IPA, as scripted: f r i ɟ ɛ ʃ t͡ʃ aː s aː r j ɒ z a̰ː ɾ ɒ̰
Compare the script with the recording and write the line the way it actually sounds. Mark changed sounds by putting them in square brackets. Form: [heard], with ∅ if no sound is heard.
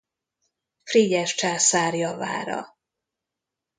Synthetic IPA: f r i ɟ ɛ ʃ t͡ʃ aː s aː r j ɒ [v] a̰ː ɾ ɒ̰